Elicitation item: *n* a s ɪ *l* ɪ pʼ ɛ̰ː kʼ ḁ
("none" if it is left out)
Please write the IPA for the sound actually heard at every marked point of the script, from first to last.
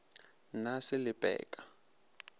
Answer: n, l

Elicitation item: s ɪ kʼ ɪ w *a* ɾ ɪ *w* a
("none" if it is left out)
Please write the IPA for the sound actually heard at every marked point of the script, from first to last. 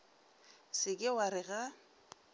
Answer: a, ɣ

